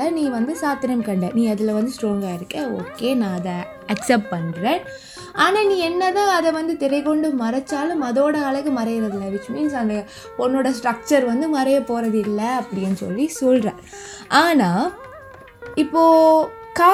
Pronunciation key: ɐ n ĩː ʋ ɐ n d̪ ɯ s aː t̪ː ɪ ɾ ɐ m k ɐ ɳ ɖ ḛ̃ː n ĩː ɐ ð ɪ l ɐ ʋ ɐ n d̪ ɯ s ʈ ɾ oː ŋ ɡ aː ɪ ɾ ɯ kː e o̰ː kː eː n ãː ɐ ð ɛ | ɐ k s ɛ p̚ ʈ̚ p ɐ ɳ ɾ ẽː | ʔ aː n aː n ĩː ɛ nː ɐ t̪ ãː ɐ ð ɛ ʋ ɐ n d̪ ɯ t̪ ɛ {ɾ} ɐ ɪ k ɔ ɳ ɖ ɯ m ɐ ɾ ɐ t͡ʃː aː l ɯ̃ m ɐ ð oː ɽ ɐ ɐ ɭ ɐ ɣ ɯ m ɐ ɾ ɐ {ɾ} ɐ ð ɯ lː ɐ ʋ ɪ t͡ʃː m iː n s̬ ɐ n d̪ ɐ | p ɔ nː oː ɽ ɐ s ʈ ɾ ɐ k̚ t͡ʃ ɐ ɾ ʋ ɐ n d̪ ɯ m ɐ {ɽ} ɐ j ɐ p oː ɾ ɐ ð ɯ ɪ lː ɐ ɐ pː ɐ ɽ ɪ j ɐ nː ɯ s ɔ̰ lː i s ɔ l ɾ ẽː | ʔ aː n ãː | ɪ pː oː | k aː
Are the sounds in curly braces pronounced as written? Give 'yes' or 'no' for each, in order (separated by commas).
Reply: yes, yes, no